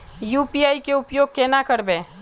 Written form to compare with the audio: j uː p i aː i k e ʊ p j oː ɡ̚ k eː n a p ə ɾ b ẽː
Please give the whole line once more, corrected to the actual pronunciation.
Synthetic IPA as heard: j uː p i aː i k e ʊ p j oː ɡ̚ k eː n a k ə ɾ b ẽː